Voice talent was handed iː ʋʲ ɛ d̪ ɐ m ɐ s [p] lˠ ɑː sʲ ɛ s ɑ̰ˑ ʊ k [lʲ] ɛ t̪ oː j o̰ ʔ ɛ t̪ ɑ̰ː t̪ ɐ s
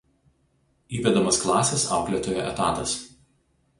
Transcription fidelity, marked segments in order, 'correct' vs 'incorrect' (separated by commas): incorrect, correct